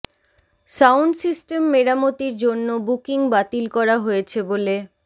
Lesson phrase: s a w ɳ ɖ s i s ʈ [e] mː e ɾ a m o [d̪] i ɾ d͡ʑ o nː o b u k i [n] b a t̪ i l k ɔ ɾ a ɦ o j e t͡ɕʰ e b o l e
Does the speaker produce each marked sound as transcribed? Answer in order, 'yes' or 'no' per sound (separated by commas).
yes, no, no